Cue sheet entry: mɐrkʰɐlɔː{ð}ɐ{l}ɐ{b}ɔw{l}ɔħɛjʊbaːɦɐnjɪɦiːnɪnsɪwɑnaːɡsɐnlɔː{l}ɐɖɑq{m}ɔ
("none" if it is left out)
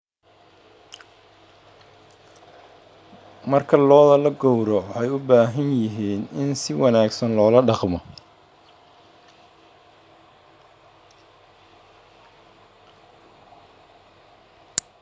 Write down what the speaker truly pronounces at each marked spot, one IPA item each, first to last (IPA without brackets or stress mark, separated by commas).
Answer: ð, l, ɡ, ɾ, l, m